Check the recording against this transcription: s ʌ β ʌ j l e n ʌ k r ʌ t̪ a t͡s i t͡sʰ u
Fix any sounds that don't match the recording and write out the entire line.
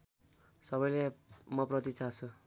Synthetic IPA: s ʌ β ʌ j l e m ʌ p r ʌ t̪ i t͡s a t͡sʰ u